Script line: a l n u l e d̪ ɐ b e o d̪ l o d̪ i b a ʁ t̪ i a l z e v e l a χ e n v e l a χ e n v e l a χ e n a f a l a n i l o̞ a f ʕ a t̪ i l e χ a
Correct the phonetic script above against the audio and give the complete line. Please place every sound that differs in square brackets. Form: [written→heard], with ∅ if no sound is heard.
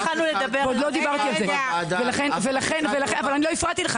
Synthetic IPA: a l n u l e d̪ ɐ b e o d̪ l o d̪ i b a ʁ t̪ i a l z e v e l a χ e n v e l a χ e n v e l a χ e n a [f→v] a l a n i l o̞ [a→i] f [ʕ→ʁ] a t̪ i l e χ a